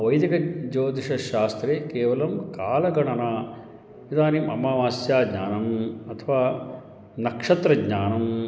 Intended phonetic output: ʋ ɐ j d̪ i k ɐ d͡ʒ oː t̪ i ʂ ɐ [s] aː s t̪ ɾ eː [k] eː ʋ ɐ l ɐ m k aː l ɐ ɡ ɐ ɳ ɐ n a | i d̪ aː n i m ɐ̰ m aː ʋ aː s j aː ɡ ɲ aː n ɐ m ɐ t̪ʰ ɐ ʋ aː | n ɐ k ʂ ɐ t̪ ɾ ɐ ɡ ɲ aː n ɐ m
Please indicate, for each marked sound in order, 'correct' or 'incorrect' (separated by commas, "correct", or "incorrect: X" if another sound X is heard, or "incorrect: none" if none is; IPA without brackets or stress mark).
incorrect: ʃ, correct